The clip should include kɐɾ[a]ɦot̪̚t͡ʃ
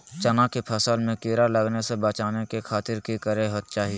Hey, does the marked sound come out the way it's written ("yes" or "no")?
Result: no